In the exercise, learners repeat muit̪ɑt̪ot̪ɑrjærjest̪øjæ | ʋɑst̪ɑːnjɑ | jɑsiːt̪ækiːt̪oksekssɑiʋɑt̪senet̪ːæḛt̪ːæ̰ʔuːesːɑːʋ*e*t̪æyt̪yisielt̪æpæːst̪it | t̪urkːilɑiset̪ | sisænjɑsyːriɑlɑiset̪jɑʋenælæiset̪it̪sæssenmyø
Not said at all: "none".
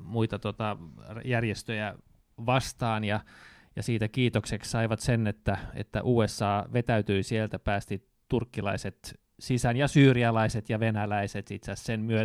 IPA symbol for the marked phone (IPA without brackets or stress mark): e